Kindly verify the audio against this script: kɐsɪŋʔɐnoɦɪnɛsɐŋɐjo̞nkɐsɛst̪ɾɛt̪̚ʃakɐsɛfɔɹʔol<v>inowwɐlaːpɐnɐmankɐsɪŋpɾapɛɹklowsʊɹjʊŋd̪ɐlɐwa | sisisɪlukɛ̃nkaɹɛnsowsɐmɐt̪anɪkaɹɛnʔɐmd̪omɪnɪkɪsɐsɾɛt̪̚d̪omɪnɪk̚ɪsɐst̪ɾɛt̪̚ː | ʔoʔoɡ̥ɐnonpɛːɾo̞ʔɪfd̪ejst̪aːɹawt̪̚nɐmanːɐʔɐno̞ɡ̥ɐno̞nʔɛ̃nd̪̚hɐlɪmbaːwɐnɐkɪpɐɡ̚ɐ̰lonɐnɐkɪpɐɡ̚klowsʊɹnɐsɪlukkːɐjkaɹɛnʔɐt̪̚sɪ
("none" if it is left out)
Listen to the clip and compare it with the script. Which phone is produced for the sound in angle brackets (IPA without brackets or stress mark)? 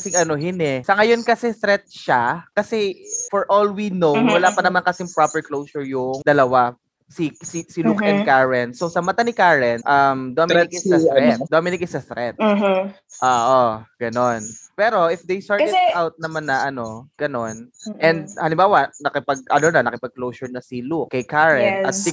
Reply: w